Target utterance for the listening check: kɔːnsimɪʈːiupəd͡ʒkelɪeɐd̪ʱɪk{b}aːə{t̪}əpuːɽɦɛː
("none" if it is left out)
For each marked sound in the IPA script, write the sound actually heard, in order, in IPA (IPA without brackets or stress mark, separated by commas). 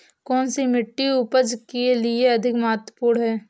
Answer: m, t̪